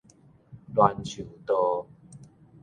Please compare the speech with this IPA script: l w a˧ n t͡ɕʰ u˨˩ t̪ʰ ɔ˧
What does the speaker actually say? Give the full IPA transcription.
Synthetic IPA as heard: l w a˧ n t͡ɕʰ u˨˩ t̪ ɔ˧